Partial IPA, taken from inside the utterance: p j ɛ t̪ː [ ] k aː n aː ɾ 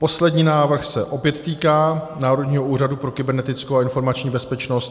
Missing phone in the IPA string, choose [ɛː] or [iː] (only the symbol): iː